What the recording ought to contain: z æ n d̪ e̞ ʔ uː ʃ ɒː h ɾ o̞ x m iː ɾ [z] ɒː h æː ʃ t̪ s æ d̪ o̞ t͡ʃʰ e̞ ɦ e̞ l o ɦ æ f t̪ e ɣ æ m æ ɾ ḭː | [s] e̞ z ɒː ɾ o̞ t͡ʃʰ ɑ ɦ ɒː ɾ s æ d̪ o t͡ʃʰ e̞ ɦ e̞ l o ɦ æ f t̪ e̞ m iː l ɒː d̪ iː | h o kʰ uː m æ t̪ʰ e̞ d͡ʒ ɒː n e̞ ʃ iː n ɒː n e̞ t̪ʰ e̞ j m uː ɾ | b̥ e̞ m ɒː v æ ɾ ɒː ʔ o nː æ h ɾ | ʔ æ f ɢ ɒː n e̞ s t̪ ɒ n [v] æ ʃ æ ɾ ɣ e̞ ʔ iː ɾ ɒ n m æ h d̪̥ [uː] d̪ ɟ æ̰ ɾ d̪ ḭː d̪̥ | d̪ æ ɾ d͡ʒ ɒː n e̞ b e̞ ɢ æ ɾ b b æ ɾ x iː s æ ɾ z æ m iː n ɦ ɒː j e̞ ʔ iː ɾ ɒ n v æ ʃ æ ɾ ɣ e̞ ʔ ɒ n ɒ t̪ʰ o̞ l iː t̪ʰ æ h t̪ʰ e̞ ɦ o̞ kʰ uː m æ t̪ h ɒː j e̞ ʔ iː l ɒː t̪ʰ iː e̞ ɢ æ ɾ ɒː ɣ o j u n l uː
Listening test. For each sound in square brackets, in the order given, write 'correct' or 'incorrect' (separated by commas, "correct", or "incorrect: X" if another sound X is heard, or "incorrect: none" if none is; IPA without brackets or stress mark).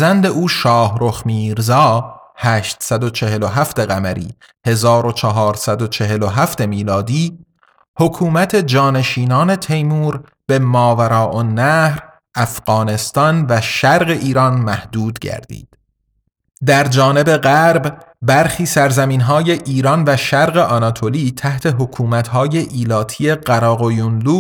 correct, incorrect: h, correct, correct